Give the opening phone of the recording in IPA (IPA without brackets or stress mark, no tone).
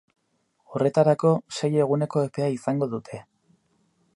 o̞